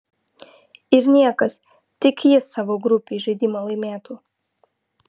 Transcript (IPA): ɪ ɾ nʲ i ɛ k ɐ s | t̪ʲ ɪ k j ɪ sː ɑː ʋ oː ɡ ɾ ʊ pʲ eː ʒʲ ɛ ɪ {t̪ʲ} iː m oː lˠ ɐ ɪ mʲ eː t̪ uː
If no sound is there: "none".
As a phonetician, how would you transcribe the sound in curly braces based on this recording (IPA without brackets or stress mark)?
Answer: d̪ʲ